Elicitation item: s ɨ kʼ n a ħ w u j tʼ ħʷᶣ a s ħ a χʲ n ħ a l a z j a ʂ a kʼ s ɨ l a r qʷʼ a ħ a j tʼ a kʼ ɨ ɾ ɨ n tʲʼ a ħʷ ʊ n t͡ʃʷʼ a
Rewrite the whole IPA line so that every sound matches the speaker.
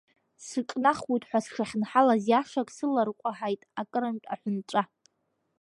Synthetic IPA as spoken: s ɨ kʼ n a χ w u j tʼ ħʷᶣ a s ʂ a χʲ n ħ a l a z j a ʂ a kʼ s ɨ l a r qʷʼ a ħ a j tʼ a kʼ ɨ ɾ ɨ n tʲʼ a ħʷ ʊ n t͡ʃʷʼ a

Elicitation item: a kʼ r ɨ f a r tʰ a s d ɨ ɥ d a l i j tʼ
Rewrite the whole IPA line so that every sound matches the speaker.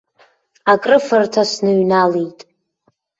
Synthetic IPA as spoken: a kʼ r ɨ f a r tʰ a s n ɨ ɥ n a l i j tʼ

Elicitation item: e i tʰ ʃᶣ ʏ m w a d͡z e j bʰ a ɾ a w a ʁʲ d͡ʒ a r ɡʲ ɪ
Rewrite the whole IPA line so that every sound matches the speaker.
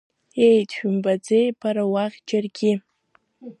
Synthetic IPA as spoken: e j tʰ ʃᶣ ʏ m b a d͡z e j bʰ a ɾ a w a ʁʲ d͡ʒ a r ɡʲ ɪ

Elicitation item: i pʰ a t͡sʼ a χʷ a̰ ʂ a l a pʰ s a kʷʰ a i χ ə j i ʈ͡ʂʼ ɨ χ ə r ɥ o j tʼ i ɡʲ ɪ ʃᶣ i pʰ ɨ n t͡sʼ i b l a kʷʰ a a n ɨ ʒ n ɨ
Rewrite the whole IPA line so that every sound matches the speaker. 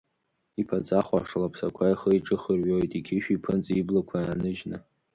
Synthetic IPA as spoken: i pʰ a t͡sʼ a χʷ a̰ ʂ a l a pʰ s a kʷʰ a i χ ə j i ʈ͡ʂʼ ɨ χ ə r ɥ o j tʼ i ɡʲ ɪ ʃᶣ i pʰ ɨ n t͡sʼ i b l a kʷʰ a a n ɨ ʒ n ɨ

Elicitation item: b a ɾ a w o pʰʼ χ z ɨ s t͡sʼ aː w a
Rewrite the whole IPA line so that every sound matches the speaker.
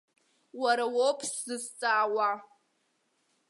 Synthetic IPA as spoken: w a ɾ a w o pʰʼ s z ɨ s t͡sʼ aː w a

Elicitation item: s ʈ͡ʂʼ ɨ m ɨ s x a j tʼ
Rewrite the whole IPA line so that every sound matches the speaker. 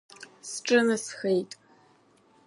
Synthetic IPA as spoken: s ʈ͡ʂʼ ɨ n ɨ s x e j tʼ

